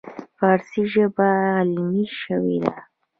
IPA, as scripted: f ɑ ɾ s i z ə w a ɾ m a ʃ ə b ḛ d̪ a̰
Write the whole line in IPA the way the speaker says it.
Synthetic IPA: f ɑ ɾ s i ʒ ə b a l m i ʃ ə w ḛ d̪ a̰